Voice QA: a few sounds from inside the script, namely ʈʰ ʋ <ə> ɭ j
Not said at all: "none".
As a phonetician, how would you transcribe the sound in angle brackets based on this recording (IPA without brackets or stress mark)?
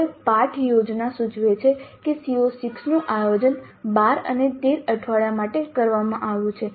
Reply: a